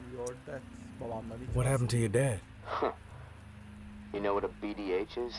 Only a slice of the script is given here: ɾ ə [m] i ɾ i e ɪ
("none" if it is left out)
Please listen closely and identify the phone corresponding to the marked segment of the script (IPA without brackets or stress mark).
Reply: b